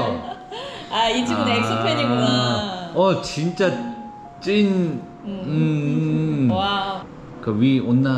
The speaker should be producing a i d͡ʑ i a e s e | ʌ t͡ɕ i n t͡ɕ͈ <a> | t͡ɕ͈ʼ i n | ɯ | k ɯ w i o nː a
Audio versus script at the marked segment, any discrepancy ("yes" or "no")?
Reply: no